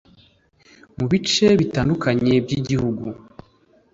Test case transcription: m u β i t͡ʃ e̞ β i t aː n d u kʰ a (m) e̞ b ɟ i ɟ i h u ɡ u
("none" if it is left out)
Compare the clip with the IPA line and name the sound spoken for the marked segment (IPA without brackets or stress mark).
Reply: ɲ